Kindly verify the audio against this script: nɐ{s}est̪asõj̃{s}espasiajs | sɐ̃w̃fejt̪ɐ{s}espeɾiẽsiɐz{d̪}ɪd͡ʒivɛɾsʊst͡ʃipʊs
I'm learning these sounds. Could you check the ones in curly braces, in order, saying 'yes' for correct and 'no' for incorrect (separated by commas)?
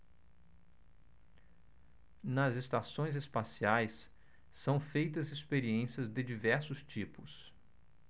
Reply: no, no, no, yes